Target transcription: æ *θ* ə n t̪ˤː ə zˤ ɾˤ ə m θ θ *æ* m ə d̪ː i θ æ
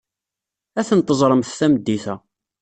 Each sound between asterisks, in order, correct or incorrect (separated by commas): correct, correct